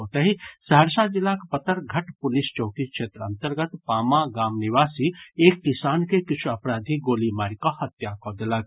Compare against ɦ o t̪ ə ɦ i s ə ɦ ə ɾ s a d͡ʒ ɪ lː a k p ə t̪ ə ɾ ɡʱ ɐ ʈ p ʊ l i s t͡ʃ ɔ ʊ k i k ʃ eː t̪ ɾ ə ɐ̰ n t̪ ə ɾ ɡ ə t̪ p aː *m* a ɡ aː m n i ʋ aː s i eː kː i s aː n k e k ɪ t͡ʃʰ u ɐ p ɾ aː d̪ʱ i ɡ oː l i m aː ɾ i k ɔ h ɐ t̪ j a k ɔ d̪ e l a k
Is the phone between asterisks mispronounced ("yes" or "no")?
no